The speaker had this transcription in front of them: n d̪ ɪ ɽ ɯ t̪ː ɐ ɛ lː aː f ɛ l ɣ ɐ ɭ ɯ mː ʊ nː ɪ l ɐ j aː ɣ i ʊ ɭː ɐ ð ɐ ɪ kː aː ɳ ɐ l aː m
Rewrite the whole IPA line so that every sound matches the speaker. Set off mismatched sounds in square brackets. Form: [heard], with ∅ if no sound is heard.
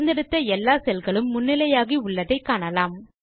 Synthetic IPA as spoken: n d̪ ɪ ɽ ɯ t̪ː ɐ ɛ lː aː [s] ɛ l ɣ ɐ ɭ ɯ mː ʊ nː ɪ l ɐ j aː ɣ i ʊ ɭː ɐ ð ɐ ɪ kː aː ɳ ɐ l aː m